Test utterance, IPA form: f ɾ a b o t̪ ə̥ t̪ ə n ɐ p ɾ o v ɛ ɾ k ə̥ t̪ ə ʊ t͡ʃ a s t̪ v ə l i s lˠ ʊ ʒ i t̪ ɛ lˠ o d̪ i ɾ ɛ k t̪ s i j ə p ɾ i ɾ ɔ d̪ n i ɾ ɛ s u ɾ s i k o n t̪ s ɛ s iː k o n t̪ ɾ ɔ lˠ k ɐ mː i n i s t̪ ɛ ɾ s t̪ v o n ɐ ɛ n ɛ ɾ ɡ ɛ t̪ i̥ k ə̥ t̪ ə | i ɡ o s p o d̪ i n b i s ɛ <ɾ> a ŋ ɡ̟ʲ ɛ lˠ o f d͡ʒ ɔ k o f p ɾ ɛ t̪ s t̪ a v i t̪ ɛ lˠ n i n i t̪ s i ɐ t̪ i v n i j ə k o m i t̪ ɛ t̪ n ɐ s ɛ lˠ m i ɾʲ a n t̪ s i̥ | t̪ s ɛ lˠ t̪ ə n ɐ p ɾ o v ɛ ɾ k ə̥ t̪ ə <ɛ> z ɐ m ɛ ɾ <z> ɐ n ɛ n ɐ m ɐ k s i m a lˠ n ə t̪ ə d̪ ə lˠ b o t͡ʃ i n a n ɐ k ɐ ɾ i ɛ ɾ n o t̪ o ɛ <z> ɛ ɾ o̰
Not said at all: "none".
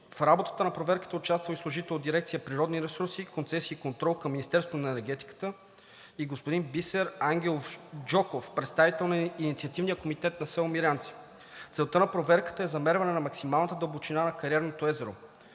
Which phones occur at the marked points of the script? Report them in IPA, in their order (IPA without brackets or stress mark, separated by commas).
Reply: ɾ, ɛ, v, z